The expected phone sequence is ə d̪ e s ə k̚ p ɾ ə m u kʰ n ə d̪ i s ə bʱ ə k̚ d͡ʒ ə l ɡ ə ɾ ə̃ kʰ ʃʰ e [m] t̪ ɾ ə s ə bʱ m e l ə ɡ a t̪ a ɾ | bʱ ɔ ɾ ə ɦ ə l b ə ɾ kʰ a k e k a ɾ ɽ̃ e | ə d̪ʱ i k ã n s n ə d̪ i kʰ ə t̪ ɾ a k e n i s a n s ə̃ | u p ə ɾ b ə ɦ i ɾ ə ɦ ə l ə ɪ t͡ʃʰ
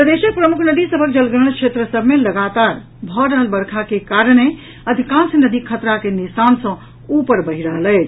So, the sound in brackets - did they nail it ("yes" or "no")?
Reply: no